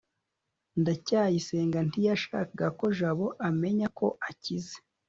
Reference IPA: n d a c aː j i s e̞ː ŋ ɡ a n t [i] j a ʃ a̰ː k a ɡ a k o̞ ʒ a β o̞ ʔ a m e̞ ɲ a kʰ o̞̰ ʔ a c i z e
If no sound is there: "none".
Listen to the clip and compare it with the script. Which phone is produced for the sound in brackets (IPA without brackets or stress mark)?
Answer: i